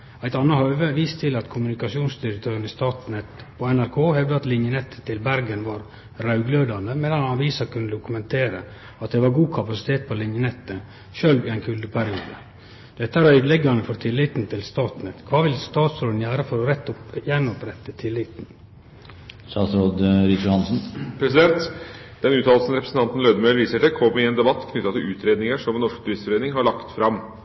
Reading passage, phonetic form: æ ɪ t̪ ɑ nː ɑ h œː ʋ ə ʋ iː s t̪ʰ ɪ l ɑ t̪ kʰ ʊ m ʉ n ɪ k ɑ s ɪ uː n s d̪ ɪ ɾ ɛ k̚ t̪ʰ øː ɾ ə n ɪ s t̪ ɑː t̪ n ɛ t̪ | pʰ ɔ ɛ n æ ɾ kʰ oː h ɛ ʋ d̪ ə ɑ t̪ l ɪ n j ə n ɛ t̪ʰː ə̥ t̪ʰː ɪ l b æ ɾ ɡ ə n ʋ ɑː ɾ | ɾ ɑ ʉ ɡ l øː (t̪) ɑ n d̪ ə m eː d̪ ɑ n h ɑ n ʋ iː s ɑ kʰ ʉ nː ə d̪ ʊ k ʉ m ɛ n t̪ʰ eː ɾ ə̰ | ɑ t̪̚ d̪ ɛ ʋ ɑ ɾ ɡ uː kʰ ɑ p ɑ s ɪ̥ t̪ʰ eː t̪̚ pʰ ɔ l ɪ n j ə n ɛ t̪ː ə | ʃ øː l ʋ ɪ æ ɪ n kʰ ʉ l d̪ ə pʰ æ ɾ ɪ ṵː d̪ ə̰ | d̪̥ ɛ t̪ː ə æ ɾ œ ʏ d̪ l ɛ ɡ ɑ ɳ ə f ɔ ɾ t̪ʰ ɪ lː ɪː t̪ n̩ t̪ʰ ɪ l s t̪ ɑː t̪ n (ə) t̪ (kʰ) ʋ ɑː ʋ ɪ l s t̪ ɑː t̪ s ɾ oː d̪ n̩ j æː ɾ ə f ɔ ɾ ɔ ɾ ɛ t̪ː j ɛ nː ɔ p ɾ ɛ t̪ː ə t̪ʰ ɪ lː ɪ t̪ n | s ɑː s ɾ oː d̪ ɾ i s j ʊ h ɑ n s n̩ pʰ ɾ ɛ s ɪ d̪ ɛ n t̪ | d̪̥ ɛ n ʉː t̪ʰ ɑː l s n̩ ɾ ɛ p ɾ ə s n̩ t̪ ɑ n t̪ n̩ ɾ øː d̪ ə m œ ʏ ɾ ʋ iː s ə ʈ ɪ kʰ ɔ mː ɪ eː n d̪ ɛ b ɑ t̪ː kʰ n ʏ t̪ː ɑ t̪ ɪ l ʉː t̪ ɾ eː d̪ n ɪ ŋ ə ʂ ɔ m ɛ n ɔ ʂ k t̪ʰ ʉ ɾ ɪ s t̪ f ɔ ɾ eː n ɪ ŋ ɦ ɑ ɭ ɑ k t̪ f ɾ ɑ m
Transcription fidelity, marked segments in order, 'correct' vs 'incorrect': incorrect: d̪, correct, correct

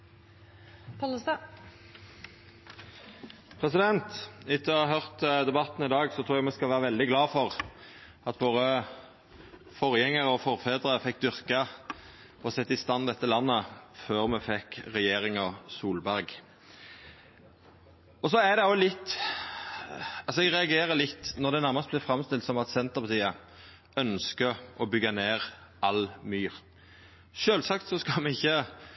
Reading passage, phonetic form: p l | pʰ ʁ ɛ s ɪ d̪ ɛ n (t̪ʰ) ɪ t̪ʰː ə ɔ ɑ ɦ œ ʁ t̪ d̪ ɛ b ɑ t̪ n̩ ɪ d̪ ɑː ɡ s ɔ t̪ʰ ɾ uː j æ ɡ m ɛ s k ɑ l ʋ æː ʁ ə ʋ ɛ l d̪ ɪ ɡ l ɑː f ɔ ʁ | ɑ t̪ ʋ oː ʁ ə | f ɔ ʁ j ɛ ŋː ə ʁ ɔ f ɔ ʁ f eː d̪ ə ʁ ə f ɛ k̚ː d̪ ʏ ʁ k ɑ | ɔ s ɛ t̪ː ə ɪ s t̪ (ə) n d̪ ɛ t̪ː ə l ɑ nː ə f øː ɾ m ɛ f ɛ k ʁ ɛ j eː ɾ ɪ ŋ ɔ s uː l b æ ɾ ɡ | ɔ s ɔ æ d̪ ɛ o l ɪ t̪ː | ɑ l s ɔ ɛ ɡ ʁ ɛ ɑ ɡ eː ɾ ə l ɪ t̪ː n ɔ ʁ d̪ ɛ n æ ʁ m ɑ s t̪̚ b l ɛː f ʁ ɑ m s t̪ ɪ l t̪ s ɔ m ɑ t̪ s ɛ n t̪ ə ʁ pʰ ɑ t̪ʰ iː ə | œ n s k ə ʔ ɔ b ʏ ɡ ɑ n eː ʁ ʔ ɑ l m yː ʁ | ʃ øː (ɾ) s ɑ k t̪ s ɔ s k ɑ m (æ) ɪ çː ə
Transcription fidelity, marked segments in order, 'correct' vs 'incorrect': incorrect: t̪, incorrect: ɑ, incorrect: l, incorrect: ɛ

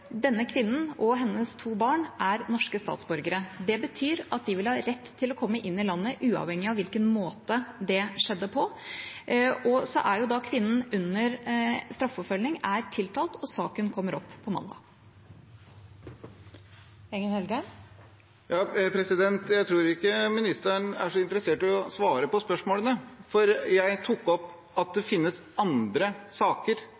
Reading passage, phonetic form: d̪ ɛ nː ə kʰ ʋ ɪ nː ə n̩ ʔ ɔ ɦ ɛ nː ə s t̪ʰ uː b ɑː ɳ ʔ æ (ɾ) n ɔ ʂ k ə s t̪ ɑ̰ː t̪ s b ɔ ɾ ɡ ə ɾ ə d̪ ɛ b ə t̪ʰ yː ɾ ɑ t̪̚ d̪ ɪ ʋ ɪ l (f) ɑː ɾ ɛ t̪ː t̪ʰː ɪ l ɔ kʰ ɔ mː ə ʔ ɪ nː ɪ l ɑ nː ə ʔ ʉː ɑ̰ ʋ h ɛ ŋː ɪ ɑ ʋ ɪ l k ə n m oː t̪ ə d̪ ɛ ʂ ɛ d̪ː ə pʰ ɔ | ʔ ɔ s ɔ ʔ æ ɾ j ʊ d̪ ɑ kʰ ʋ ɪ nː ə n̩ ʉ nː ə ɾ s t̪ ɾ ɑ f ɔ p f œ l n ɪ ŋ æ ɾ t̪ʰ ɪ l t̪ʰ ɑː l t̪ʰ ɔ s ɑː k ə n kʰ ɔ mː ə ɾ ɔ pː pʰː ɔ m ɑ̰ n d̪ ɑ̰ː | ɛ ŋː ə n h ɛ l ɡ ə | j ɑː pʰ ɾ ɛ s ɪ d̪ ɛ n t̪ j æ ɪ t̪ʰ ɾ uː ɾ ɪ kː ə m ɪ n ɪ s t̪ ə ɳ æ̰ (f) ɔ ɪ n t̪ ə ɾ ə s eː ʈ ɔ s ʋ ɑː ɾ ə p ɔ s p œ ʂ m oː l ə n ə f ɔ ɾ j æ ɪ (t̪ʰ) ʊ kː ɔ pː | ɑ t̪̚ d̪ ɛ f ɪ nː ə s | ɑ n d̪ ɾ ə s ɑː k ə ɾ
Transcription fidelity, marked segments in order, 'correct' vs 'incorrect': correct, incorrect: h, incorrect: ʂ, correct

